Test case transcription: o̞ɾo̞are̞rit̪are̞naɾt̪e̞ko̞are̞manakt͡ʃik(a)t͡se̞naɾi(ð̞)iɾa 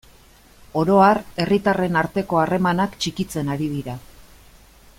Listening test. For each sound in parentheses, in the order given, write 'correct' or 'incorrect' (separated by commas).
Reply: incorrect, correct